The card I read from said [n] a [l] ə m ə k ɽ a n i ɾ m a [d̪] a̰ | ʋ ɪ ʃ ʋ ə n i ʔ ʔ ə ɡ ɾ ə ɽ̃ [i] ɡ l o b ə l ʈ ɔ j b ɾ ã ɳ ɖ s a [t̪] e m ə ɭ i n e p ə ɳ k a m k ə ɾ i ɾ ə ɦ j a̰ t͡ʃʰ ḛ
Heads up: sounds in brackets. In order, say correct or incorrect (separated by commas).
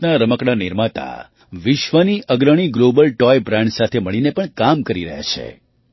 correct, incorrect, incorrect, correct, incorrect